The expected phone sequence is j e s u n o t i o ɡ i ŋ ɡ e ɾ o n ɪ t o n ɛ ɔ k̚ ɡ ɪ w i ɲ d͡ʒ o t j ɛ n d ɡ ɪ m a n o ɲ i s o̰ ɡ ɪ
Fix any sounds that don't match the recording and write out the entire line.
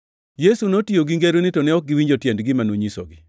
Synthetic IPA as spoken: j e s u n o t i o ɡ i ŋ ɡ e ɾ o n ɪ t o n ɛ ɔ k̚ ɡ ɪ w i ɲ d͡ʒ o t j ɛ n d ɡ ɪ m a n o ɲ i s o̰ ɡ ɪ